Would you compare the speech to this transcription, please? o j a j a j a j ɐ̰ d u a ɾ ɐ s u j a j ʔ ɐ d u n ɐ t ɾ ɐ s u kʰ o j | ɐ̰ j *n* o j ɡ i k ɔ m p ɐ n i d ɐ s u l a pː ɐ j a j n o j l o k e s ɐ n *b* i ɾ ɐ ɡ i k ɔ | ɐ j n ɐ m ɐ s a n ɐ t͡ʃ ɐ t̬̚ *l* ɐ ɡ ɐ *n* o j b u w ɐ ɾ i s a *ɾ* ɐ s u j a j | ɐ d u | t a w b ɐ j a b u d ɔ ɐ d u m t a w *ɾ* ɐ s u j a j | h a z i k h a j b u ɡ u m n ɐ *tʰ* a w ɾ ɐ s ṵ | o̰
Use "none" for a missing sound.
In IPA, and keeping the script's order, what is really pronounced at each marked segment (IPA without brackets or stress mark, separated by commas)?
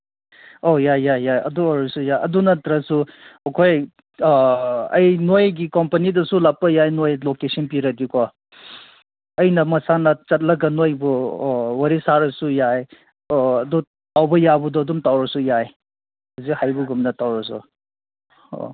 n, p, l, n, ɾ, ɾ, t